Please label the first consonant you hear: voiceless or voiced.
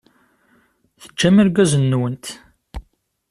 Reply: voiceless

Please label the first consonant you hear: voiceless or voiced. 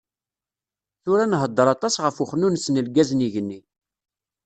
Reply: voiceless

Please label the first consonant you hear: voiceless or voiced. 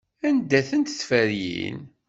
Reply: voiced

